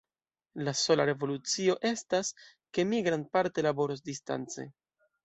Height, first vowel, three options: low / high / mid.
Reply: low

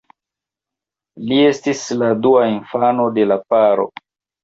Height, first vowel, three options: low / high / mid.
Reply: high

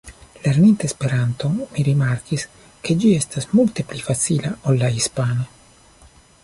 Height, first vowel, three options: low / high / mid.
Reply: mid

